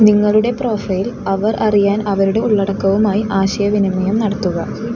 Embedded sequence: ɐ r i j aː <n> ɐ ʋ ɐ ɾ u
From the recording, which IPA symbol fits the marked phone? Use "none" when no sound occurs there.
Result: n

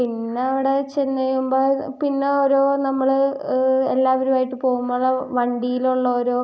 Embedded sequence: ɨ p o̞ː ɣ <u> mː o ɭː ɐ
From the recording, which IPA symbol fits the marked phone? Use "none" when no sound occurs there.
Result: u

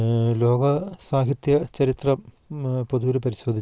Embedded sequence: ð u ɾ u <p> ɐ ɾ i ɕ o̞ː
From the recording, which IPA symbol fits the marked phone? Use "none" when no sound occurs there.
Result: p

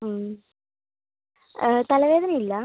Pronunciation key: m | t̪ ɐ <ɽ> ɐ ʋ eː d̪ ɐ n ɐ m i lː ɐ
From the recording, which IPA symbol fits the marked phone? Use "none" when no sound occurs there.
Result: l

